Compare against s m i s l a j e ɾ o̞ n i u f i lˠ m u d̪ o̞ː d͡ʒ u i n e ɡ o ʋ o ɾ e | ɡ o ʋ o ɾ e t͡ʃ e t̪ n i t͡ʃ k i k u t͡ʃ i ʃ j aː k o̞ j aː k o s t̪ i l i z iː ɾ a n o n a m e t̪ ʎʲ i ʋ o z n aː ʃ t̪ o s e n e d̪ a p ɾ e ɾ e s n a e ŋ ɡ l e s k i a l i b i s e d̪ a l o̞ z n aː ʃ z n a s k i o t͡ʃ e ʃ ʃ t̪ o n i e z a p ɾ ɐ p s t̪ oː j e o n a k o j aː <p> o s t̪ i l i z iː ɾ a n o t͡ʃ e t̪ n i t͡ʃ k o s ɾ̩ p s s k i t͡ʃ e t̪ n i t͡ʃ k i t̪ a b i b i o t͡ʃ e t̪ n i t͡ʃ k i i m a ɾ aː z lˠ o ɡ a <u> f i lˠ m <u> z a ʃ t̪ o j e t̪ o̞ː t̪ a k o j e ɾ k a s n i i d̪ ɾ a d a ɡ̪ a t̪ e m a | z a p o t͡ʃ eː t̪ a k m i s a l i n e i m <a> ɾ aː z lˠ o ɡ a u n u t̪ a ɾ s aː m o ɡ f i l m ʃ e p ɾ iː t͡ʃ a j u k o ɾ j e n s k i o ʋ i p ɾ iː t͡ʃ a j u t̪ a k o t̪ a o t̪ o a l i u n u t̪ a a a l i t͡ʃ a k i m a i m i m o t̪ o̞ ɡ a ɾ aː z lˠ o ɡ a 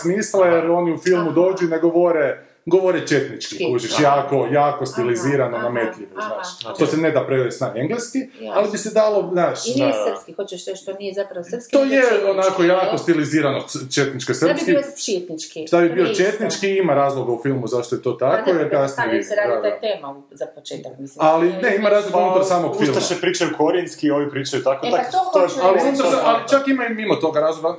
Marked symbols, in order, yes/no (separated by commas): no, yes, yes, yes